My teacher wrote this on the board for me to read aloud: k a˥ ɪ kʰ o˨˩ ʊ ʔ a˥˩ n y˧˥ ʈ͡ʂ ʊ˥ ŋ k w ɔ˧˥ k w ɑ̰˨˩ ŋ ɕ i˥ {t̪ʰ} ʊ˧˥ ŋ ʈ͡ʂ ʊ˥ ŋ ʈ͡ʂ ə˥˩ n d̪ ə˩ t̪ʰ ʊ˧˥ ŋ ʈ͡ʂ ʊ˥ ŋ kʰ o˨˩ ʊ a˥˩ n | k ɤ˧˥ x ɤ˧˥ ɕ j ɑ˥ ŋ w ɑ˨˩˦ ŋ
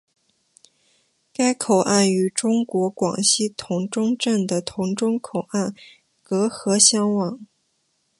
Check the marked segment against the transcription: correct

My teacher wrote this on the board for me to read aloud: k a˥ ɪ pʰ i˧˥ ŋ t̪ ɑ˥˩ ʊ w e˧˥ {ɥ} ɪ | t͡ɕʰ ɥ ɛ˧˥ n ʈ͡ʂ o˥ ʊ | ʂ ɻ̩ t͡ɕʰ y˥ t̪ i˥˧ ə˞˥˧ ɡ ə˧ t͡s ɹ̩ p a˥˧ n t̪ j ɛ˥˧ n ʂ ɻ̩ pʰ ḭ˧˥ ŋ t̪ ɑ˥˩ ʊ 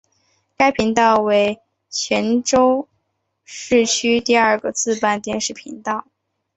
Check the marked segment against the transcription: incorrect: none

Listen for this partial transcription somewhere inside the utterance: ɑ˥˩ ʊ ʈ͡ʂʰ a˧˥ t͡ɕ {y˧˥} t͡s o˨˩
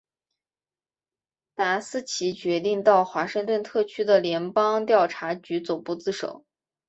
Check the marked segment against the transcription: correct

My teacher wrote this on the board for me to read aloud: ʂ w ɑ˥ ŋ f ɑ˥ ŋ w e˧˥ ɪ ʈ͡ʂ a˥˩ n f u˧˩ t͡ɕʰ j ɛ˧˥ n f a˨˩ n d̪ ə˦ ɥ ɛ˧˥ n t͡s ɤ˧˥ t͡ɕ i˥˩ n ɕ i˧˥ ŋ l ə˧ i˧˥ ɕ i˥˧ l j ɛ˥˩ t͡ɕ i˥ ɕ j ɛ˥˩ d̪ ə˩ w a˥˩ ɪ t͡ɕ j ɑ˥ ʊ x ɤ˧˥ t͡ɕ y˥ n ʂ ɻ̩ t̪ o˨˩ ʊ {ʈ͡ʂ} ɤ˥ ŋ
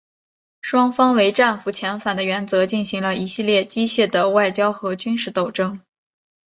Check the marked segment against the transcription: correct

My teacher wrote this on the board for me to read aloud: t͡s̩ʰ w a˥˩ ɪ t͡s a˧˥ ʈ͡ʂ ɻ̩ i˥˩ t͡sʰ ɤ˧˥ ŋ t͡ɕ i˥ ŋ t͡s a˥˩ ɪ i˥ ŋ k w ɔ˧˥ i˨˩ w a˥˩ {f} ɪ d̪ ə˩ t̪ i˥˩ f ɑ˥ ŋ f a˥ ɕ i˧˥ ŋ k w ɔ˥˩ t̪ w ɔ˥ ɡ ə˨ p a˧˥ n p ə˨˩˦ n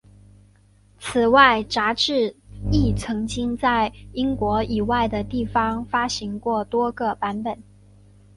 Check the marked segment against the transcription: incorrect: none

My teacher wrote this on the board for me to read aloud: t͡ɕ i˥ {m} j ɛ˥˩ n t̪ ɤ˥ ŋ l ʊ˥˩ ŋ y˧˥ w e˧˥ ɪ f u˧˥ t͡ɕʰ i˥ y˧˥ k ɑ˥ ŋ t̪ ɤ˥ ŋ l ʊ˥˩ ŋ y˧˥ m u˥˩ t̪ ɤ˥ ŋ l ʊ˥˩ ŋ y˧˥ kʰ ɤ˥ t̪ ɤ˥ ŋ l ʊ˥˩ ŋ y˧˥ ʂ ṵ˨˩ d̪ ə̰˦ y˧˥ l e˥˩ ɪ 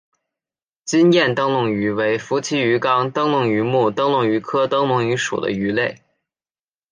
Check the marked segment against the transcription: incorrect: n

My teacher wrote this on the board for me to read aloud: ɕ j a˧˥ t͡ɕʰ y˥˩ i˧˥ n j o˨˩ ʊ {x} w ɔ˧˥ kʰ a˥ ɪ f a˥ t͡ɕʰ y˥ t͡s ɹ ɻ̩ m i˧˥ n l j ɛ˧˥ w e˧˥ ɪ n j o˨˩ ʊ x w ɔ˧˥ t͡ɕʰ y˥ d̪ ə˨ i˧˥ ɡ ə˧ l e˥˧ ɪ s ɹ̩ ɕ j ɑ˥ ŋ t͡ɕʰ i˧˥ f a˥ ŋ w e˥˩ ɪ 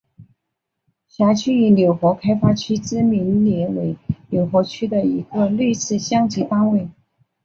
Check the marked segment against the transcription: correct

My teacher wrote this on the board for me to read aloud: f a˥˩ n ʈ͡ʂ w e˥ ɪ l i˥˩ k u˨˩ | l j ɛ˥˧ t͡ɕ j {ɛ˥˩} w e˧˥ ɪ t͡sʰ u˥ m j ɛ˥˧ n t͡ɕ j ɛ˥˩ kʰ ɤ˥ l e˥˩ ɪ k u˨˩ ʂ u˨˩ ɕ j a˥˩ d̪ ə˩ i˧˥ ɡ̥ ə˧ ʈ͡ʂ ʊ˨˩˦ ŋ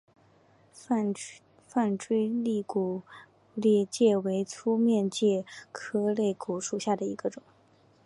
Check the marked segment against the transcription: correct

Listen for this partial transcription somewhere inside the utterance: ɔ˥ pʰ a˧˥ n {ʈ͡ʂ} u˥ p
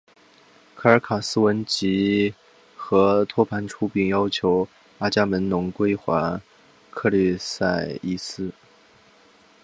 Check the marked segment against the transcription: incorrect: ʈ͡ʂʰ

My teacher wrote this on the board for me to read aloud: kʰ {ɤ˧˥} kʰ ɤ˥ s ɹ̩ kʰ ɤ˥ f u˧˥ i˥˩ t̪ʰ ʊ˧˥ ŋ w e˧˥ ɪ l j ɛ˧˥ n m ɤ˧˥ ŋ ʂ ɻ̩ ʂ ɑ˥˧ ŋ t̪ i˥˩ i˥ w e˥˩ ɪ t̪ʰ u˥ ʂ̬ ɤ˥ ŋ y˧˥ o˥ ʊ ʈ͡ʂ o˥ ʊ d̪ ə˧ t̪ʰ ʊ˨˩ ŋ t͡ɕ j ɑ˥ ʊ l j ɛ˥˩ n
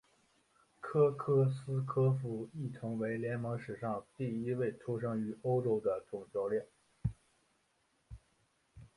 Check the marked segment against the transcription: incorrect: ɤ˥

